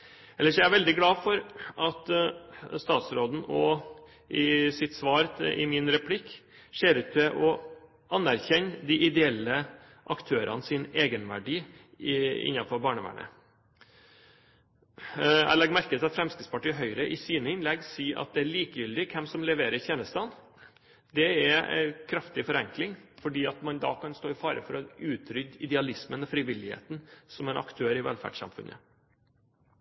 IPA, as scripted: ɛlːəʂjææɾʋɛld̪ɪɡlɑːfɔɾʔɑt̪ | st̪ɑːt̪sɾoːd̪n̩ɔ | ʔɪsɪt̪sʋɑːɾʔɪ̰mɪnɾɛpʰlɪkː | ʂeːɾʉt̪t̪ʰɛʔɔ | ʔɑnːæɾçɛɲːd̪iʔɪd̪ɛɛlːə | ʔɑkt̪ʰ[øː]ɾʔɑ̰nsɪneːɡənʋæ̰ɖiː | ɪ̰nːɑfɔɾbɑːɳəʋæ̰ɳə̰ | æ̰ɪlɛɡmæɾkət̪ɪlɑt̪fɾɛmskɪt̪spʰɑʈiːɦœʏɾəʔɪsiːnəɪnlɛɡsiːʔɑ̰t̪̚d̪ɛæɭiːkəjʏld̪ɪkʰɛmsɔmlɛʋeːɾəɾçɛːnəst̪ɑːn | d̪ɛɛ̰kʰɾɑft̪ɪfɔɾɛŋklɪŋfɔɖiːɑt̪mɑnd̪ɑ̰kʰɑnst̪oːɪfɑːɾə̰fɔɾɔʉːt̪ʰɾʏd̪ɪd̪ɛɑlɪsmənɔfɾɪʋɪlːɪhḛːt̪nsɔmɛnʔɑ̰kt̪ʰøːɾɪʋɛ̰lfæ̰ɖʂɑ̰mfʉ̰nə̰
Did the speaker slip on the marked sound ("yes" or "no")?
no